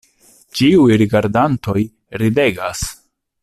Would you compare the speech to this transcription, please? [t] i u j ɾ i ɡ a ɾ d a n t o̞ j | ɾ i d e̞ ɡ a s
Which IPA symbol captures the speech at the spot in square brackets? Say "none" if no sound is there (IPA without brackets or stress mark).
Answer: t͡ʃ